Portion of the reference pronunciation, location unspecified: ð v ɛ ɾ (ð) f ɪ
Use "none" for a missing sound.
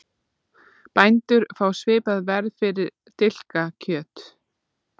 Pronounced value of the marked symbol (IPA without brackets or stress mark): ð